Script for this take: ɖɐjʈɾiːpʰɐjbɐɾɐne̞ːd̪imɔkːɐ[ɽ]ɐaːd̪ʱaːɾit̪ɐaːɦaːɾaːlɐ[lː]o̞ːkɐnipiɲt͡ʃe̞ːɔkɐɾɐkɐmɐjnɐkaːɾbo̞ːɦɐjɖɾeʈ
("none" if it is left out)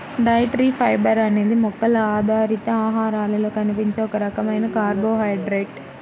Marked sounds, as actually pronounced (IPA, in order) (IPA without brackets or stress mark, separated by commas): l, l